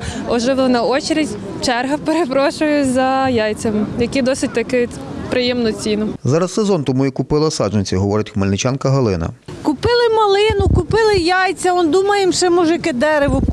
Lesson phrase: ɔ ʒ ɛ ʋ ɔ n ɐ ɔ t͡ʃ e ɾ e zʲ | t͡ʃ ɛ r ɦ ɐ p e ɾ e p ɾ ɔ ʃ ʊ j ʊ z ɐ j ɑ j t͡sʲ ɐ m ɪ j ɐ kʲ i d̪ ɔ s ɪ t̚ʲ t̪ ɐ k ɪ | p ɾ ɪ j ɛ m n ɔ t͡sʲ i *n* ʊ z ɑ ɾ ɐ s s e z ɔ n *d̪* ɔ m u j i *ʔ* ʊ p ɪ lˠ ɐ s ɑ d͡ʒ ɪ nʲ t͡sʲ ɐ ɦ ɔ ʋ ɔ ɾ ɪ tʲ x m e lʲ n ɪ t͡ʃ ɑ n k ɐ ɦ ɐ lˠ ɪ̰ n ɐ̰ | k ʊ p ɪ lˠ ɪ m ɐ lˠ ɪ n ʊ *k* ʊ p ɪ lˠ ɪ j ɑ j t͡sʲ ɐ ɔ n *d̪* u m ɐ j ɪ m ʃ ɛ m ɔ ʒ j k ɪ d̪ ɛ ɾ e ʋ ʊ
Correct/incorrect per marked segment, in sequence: correct, incorrect: t̪, incorrect: k, correct, correct

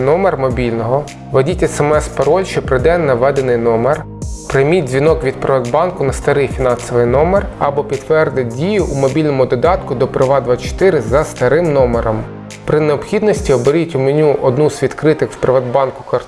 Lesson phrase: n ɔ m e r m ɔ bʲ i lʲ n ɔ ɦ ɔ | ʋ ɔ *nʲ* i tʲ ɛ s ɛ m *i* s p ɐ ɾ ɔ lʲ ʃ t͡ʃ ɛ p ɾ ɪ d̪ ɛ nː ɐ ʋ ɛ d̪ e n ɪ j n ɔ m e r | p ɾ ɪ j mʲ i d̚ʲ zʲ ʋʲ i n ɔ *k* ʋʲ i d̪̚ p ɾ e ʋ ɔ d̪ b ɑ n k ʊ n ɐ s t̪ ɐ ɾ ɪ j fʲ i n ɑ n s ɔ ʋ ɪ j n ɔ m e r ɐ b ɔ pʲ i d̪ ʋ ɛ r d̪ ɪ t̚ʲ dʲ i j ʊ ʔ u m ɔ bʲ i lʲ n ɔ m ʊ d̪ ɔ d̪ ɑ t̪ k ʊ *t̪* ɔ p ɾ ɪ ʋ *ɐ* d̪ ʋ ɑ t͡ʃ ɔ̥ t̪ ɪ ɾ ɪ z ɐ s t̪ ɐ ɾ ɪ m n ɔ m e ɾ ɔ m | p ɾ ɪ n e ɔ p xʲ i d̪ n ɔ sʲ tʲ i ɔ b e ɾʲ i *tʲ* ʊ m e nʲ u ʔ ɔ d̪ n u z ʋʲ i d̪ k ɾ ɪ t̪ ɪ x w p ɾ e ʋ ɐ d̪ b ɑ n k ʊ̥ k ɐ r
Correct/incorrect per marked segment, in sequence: incorrect: dʲ, incorrect: ɛ, correct, incorrect: d̪, incorrect: ɑ, correct

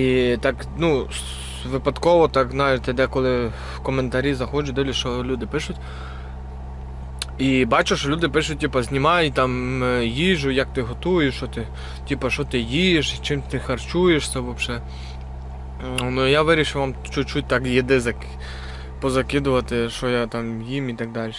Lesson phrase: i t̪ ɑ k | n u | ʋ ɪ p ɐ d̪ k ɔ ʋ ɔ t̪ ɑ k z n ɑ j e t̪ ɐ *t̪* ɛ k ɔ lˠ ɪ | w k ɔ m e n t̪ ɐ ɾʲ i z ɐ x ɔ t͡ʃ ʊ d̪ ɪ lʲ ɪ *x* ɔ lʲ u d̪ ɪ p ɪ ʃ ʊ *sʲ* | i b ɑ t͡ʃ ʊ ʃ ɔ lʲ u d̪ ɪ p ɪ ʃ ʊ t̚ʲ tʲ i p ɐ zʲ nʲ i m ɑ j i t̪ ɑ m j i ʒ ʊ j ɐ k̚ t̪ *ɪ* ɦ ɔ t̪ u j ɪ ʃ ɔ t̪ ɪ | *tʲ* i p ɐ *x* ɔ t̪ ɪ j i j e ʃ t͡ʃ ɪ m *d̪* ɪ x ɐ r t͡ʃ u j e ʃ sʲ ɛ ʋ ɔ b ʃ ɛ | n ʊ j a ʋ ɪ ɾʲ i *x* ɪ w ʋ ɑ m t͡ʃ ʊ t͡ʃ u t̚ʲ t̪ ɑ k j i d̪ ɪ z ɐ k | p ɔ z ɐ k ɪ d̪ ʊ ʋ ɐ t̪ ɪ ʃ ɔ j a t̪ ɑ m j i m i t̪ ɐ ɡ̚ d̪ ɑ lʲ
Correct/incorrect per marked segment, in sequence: incorrect: d̪, incorrect: ʃ, incorrect: tʲ, correct, correct, incorrect: ʃ, incorrect: t̪, incorrect: ʃ

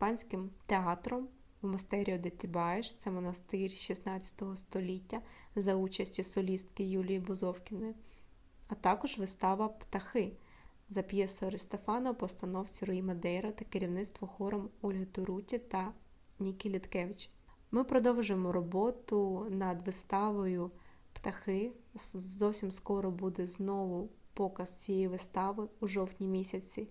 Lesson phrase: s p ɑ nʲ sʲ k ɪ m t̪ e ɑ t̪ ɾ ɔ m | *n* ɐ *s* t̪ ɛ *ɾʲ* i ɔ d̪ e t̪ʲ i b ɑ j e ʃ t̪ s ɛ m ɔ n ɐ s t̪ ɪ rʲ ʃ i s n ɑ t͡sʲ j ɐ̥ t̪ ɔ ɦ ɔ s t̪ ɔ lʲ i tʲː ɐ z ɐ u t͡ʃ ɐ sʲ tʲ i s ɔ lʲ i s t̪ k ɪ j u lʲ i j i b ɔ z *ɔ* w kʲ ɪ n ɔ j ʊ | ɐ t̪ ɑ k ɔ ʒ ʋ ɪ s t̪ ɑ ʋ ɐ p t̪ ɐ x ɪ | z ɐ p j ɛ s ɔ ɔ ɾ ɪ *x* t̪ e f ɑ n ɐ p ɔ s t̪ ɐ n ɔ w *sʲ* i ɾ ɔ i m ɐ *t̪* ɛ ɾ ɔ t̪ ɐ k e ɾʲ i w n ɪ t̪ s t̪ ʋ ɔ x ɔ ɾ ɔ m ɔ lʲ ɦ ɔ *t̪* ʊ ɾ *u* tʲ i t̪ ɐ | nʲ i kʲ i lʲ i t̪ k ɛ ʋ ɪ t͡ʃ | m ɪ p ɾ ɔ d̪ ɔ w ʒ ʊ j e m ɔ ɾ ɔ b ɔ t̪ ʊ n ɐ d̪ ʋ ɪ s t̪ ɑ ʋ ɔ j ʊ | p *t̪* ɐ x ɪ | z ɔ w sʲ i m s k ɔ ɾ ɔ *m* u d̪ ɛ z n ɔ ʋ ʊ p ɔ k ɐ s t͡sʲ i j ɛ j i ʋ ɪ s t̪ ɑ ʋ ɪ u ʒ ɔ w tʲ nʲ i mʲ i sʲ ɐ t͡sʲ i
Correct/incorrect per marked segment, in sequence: incorrect: m, correct, correct, correct, incorrect: s, incorrect: t͡sʲ, incorrect: d̪, correct, correct, correct, incorrect: b

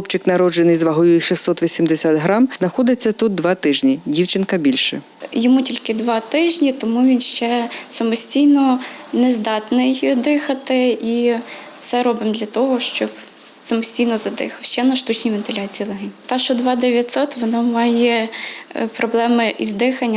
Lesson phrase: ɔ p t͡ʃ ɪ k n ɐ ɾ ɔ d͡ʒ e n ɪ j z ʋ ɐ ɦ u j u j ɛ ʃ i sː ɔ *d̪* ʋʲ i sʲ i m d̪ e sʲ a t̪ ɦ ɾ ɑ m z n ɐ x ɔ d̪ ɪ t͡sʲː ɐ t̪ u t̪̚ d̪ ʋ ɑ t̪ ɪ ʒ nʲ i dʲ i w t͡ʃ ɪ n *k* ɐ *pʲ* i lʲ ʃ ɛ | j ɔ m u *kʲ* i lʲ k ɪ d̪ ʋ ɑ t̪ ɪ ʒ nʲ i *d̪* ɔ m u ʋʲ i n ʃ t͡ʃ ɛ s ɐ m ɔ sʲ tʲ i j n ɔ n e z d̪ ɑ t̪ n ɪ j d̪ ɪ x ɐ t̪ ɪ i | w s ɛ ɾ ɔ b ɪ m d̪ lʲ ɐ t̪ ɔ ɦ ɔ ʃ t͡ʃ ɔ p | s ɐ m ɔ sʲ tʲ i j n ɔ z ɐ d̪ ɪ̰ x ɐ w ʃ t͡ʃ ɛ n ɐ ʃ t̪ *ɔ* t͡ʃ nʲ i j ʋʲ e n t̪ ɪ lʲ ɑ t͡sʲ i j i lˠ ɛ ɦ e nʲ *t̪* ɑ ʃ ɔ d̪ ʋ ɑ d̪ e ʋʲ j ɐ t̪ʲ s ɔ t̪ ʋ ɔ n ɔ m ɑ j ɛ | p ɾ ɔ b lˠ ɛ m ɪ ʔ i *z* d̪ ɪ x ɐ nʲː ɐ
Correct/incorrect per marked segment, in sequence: incorrect: t̪, correct, incorrect: bʲ, incorrect: tʲ, incorrect: t̪, incorrect: u, correct, correct

